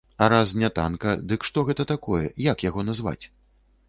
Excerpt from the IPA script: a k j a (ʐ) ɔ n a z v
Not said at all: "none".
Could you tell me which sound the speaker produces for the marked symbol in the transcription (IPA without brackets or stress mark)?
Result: ɣ